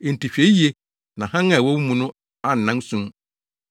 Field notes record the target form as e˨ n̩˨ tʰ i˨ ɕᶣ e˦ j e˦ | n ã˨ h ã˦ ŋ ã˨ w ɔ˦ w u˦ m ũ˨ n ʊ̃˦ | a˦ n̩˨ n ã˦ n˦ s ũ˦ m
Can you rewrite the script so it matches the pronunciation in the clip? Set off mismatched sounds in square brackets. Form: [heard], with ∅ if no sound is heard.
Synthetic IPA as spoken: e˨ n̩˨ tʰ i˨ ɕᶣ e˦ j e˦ | n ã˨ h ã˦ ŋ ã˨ w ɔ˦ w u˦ m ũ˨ n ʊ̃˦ | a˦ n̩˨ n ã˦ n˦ s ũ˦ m